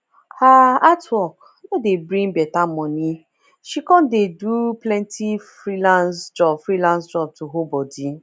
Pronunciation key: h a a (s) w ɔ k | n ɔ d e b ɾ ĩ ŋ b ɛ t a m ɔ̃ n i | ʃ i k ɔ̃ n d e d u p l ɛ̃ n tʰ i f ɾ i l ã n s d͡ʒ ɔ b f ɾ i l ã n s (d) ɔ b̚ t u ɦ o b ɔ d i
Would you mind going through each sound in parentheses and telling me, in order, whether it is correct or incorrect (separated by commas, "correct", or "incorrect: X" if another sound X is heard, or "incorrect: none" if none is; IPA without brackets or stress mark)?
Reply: incorrect: t, incorrect: d͡ʒ